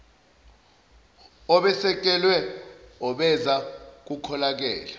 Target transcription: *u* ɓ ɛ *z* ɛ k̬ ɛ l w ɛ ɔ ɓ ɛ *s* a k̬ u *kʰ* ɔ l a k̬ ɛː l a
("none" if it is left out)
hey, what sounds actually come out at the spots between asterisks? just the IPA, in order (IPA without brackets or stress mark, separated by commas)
ɔ, s, z, kʰ